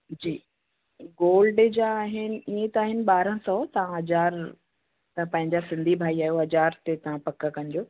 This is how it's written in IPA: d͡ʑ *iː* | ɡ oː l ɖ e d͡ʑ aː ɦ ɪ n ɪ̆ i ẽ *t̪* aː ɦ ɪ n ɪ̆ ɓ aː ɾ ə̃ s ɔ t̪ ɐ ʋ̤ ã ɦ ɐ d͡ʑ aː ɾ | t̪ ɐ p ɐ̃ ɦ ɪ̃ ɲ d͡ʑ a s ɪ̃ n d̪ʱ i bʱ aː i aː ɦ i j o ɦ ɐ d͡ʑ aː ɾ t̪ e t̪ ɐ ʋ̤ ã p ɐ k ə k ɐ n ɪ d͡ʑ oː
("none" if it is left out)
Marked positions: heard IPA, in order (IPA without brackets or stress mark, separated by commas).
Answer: iː, t̪